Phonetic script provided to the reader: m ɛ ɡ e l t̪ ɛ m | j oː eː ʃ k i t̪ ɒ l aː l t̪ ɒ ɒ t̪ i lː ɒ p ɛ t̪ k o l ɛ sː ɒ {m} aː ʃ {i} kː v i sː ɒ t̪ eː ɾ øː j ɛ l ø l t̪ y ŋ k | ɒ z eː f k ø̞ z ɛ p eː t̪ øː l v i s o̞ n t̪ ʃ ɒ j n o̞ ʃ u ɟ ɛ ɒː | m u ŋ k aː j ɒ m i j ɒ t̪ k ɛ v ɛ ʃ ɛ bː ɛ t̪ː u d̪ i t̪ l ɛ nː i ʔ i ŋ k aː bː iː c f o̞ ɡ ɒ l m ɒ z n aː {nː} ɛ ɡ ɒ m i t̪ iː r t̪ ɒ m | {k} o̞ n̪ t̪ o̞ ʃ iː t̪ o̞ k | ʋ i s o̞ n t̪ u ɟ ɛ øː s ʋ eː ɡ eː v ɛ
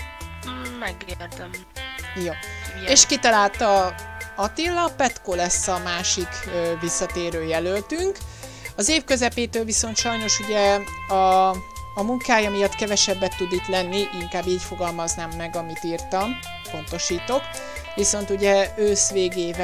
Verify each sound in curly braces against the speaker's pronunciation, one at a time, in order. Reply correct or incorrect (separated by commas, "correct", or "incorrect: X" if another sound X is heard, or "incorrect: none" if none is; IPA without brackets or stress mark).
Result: correct, correct, incorrect: mː, incorrect: p